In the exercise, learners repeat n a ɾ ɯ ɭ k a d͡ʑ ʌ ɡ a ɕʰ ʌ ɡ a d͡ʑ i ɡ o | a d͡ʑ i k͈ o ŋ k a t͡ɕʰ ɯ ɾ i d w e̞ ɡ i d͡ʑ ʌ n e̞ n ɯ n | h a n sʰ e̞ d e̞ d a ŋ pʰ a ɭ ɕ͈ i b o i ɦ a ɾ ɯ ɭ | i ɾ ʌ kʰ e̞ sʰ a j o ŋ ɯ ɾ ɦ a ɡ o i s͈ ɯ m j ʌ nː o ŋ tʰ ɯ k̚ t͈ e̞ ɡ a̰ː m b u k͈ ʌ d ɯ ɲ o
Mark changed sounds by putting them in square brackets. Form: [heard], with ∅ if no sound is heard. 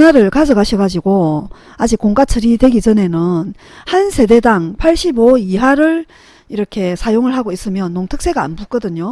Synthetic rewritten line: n a ɾ ɯ ɭ k a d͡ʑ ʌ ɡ a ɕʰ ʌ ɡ a d͡ʑ i ɡ o | a d͡ʑ i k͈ o ŋ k a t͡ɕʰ ɯ ɾ i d w e̞ ɡ i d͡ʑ ʌ n e̞ n ɯ n | h a n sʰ e̞ d e̞ d a ŋ pʰ a ɭ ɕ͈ i b o i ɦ a ɾ ɯ ɭ | i ɾ ʌ kʰ e̞ sʰ a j o ŋ ɯ [ɭ] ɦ a ɡ o i s͈ ɯ m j ʌ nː o ŋ tʰ ɯ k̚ [s͈] e̞ ɡ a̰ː [n] b u k͈ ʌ d ɯ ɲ o